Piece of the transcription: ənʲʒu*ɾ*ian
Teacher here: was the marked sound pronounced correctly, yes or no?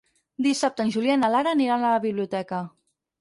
no